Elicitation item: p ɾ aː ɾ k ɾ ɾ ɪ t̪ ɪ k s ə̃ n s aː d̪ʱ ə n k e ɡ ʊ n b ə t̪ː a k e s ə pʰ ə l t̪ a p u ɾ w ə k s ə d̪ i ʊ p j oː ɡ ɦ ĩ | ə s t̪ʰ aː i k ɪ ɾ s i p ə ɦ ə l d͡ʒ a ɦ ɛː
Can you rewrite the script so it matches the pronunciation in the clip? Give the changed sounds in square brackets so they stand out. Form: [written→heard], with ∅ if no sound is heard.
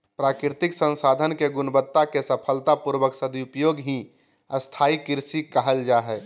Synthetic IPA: p ɾ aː [ɾ→∅] k ɾ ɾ ɪ t̪ ɪ k s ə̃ n s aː d̪ʱ ə n k e ɡ ʊ n b ə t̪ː a k e s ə pʰ ə l t̪ a p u ɾ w ə k s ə d̪ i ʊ p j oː ɡ ɦ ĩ | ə s t̪ʰ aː i k ɪ ɾ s i [p→k] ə ɦ ə l d͡ʒ a ɦ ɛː